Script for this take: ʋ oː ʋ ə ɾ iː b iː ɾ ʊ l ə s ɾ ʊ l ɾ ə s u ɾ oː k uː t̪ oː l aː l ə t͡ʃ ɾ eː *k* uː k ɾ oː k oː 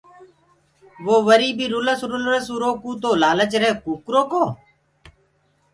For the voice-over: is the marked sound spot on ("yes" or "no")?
yes